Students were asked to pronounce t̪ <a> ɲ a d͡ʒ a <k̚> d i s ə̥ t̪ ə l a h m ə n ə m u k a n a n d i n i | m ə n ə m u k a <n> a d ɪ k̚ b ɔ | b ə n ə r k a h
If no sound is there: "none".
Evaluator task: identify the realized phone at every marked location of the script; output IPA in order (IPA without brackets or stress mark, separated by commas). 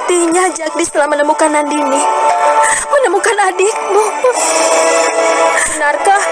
i, k̚, n